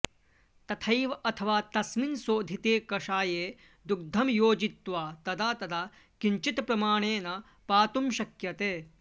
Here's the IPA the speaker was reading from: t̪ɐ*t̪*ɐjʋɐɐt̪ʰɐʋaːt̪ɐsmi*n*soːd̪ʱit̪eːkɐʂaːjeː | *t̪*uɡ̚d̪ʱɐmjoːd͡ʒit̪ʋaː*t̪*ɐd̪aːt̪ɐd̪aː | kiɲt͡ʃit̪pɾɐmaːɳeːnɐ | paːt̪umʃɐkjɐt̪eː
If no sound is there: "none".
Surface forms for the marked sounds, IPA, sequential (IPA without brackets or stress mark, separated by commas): t̪ʰ, n, d̪, t̪